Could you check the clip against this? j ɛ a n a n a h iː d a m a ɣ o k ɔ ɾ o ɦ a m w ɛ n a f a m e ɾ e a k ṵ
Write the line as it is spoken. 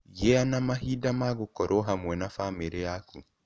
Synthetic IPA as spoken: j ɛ a n a m a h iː d a m a ɣ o k ɔ ɾ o ɦ a m w ɛ n a f a m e ɾ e a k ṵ